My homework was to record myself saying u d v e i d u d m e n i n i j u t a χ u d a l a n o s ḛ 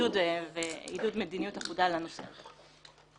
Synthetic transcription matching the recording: u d v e i d u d m e d i n i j u t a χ u d a l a n o s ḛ